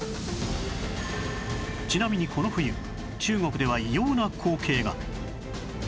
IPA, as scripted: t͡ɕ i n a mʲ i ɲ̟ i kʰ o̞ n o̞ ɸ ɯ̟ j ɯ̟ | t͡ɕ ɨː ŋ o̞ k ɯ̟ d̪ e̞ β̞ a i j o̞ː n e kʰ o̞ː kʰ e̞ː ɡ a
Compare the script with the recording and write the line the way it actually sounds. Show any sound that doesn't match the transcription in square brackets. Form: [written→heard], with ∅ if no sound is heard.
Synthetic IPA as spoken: t͡ɕ i n a mʲ i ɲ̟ i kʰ o̞ n o̞ ɸ ɯ̟ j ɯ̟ | t͡ɕ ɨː ŋ o̞ k ɯ̟ d̪ e̞ β̞ a i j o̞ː n [e→a] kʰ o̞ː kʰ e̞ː ɡ a